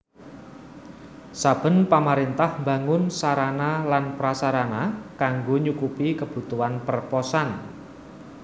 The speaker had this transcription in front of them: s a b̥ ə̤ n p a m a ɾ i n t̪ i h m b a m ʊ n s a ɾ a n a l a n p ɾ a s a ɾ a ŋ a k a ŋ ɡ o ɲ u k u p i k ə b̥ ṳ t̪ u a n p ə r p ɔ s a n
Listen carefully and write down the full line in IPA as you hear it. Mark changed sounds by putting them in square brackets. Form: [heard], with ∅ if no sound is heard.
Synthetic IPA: s a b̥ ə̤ n p a m a ɾ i n t̪ [a] h m b a [ŋ] ʊ n s a ɾ a n a l a n p ɾ a s a ɾ a [n] a k a ŋ ɡ o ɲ u k u p i k ə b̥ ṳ t̪ u a n p ə r p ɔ s a n